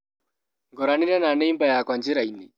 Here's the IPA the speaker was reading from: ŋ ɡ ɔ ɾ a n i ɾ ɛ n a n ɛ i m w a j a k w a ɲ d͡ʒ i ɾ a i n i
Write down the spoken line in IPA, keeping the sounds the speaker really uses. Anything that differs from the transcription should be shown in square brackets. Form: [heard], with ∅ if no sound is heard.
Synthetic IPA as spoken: ŋ ɡ ɔ ɾ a n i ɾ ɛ n a n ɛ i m [b] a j a k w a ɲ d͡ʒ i ɾ a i n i